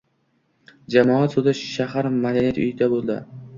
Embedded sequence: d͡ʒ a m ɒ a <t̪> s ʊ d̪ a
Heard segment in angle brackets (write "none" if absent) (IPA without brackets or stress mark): t̪